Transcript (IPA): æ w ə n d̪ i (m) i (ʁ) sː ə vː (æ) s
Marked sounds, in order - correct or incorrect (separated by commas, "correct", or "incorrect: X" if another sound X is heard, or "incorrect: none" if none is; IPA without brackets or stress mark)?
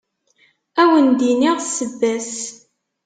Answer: incorrect: n, correct, correct